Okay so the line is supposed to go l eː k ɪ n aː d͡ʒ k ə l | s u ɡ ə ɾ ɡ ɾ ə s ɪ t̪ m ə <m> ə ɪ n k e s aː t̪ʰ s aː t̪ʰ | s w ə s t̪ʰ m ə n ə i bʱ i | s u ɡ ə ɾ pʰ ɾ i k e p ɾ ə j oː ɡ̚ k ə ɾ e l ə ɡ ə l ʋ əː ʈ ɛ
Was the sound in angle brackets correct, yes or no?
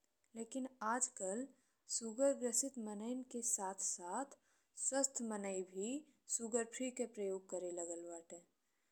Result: no